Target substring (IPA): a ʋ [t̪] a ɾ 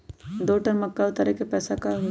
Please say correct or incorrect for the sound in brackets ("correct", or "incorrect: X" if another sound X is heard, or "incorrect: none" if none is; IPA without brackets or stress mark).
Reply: correct